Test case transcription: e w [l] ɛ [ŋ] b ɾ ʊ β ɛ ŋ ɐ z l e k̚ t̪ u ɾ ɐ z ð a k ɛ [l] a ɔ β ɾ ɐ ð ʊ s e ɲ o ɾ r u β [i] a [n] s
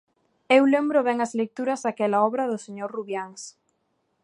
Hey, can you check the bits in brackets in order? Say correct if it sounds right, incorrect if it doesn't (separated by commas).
correct, incorrect, correct, incorrect, incorrect